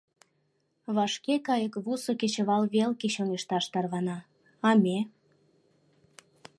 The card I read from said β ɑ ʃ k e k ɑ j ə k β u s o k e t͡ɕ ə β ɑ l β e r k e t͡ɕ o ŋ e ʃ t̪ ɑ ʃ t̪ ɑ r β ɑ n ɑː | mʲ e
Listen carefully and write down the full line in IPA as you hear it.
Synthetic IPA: β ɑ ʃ k e k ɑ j ə k β u s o k e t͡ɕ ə β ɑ l β e l k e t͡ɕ o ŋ e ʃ t̪ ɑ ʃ t̪ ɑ r β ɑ n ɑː | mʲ e